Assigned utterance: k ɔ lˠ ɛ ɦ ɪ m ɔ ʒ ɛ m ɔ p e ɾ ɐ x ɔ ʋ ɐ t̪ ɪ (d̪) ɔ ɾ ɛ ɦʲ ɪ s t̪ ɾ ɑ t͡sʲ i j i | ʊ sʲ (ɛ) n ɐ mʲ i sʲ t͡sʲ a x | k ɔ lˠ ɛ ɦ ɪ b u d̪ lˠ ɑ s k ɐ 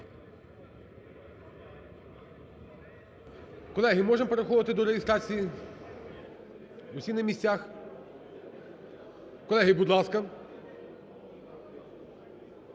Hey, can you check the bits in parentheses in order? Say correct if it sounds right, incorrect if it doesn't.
correct, incorrect: i

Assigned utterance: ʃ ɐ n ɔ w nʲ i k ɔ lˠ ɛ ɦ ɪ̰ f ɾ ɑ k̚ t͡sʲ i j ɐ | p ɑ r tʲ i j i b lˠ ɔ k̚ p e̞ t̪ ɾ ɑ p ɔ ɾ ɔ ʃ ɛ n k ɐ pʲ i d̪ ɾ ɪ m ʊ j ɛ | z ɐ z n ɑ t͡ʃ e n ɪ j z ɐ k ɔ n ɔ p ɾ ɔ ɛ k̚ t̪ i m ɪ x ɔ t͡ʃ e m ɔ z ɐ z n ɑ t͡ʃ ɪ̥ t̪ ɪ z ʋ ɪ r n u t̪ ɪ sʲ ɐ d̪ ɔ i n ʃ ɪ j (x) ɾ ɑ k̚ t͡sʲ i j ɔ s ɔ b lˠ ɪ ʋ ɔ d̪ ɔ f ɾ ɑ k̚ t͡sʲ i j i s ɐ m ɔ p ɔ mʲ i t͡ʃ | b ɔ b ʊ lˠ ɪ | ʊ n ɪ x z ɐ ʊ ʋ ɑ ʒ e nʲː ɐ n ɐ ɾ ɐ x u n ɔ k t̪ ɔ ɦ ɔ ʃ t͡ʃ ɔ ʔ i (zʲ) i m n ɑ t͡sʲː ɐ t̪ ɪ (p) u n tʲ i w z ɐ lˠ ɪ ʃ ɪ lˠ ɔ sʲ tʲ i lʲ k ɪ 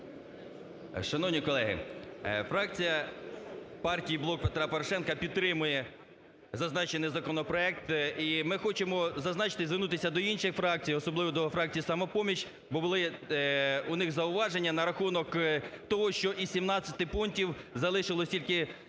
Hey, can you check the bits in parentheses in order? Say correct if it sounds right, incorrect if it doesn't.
incorrect: f, incorrect: sʲ, correct

